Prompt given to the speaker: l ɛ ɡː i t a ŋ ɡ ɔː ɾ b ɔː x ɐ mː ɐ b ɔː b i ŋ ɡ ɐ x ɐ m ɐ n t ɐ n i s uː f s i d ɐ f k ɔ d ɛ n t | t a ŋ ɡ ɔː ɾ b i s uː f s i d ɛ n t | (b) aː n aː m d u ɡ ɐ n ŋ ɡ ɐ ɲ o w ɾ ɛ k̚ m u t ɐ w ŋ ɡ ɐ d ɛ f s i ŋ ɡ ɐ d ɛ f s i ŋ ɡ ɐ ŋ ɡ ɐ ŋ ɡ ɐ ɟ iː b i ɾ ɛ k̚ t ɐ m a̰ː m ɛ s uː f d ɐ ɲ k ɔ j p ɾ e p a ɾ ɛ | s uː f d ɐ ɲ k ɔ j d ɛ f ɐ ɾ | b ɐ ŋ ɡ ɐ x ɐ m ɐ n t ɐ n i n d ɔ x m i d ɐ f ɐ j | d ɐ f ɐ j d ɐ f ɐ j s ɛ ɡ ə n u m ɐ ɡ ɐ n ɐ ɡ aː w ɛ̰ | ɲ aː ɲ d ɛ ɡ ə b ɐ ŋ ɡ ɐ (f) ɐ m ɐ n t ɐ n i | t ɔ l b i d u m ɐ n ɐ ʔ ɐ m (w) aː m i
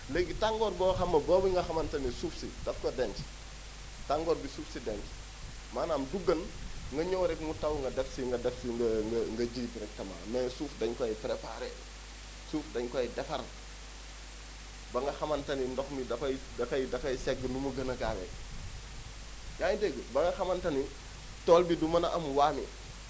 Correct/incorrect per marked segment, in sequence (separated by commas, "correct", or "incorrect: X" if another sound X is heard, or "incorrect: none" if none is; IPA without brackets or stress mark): incorrect: m, incorrect: x, correct